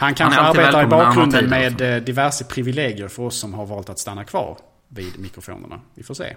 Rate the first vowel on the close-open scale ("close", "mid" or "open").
open